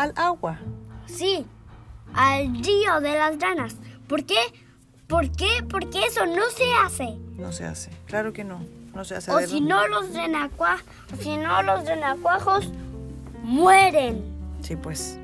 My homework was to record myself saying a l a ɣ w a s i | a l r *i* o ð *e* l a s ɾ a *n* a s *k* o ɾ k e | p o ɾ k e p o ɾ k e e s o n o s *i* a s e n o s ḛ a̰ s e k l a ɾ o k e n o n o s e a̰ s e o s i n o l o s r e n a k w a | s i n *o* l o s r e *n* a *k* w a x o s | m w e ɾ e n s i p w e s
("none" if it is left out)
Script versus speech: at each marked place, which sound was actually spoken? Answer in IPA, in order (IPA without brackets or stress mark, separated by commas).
i, e, n, p, e, o, n, k